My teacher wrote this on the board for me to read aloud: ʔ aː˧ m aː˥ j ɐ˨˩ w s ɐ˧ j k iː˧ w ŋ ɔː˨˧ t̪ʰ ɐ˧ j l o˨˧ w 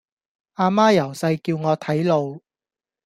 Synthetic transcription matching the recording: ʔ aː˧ m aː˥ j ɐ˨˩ w s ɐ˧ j k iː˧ w ŋ ɔː˨˧ t̪ʰ ɐ˨˥ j l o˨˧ w